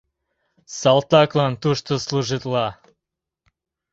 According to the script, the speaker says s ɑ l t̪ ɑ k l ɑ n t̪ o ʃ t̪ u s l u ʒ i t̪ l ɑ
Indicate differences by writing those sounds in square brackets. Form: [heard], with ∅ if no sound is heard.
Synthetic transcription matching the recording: s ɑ l t̪ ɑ k l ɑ n t̪ [u] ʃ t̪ [o] s l u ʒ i t̪ l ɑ

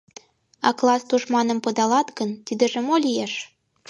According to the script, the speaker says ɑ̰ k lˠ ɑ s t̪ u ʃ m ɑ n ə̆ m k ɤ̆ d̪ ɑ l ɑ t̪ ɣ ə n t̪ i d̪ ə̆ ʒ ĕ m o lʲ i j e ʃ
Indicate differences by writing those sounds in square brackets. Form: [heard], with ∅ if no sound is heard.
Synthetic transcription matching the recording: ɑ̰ k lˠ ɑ s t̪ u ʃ m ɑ n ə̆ m [p] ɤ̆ d̪ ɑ l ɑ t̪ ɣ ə n t̪ i d̪ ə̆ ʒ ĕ m o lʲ i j e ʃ

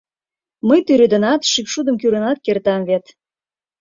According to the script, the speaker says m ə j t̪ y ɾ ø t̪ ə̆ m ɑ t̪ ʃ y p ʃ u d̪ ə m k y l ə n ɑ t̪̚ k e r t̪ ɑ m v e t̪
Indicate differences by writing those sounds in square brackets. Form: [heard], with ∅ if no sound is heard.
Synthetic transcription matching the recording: m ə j t̪ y ɾ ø [d̪] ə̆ [n] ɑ t̪ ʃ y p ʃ u d̪ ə m k y [ɾ] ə n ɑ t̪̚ k e r t̪ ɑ m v e t̪

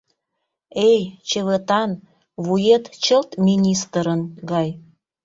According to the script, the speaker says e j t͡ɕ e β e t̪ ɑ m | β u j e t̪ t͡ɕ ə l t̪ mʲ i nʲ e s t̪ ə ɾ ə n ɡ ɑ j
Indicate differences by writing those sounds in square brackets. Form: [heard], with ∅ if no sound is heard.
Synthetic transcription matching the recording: e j t͡ɕ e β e t̪ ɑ [n] | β u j e t̪ t͡ɕ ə l t̪ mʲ i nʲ [i] s t̪ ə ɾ ə n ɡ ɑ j

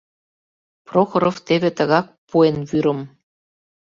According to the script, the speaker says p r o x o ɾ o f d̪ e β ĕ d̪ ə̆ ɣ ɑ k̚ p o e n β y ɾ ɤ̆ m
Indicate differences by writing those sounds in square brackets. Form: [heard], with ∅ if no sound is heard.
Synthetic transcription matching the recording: p r o x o ɾ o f [t̪] e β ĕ [t̪] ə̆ ɣ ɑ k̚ p [u] e n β y ɾ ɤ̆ m

